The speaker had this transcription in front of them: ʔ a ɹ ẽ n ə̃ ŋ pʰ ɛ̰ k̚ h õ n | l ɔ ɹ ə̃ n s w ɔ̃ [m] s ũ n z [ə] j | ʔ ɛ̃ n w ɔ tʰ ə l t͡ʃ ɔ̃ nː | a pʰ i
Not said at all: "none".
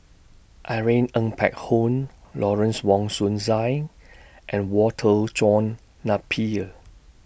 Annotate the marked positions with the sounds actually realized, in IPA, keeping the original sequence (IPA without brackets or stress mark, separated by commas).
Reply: ŋ, a